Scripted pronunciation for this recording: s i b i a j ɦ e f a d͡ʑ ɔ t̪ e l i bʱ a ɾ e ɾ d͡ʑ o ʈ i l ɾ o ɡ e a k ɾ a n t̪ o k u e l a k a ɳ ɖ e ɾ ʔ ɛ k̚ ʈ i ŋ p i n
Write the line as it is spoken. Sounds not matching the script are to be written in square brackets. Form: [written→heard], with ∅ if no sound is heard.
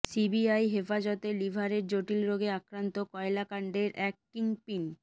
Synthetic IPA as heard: s i b i a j ɦ e f a d͡ʑ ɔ t̪ e l i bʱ a ɾ e ɾ d͡ʑ o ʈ i l ɾ o ɡ e a k ɾ a n t̪ o k [u→ɔ] e l a k a ɳ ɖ e ɾ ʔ ɛ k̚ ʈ i ŋ p i n